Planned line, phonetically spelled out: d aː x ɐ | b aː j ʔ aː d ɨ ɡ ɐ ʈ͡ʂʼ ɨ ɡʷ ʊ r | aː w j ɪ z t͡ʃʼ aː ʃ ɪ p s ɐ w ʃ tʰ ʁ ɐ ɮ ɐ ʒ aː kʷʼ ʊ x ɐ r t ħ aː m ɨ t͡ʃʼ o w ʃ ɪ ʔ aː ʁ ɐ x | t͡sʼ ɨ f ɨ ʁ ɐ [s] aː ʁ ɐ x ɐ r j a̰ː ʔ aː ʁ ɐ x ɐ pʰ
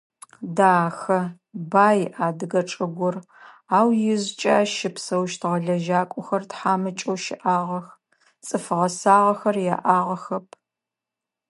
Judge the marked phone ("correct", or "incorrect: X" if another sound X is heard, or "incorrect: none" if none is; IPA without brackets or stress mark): correct